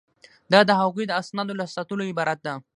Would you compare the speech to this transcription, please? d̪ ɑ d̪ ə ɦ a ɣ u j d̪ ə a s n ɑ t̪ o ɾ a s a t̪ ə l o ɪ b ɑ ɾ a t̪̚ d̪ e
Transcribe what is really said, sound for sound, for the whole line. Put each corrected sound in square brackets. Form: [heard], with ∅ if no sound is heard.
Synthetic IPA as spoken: d̪ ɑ d̪ ə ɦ a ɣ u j d̪ ə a s n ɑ [d̪] o [l] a s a t̪ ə l o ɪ b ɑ ɾ a t̪̚ d̪ [a]

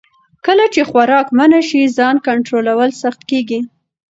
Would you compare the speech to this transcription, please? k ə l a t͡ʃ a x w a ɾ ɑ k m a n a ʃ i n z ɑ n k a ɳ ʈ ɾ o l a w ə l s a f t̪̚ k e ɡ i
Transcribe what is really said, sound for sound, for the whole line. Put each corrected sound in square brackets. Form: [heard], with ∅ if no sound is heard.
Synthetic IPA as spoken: k ə l a t͡ʃ [e] x w a ɾ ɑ k m a n a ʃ i [∅] z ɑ n k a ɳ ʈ ɾ o l a w ə l s a [x] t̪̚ k e ɡ i

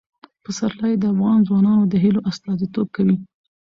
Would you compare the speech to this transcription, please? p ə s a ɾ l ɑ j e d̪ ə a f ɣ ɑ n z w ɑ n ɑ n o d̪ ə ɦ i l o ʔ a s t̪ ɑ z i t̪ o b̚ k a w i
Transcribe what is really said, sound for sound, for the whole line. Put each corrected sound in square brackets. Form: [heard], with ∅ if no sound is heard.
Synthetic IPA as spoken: p ə s a ɾ l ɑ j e d̪ ə a f ɣ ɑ n z w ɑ n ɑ n o d̪ ə ɦ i l o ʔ a s t̪ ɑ z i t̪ o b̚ k a w i

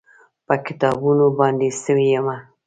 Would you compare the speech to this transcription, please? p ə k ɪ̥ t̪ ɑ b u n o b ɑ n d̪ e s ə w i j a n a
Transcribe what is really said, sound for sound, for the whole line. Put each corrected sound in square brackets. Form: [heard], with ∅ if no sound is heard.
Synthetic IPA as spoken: p ə k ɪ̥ t̪ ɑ b u n o b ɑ n d̪ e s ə w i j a [m] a

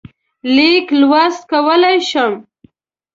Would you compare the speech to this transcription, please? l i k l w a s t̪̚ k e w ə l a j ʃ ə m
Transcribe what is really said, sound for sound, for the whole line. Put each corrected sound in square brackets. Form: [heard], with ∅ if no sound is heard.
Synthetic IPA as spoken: l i k l w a s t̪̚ k [a] w ə l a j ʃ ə m

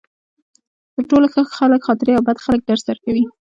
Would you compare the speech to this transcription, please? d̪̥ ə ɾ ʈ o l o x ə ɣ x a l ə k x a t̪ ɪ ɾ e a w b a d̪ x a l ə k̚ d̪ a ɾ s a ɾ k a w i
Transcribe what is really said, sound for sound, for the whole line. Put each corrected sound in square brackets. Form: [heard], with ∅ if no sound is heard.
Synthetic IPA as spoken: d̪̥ ə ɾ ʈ o l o x ə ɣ x a l ə k x [ɑ] t̪ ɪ ɾ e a w b a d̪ x a l ə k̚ d̪ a ɾ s a ɾ k a w i

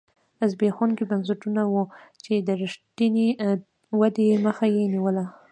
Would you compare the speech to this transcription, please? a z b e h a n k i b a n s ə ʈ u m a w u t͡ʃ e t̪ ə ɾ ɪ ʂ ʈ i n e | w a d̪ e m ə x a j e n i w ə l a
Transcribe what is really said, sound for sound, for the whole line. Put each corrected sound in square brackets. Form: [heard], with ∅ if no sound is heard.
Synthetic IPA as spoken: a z b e [x] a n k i b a n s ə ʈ u [n] a w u t͡ʃ e [d̪] ə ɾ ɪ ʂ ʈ i n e | w a d̪ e m ə x a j e n i w ə l a

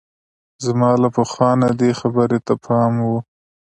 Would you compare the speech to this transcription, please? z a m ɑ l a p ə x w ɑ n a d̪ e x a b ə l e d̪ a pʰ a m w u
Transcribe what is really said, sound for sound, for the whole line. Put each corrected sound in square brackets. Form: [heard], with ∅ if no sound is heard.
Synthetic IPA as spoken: z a m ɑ l a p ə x w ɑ n a d̪ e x a b ə [ɾ] e [t̪] a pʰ [ɑ] m w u

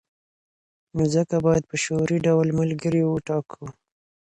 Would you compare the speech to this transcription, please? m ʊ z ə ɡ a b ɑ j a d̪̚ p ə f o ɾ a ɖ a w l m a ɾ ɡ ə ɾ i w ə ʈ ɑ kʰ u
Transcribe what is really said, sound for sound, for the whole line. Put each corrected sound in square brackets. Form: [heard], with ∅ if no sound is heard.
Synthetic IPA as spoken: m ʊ z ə [k] a b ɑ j a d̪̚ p ə [ʃ] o ɾ [i] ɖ a w l m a [l] ɡ ə ɾ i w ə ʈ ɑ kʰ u

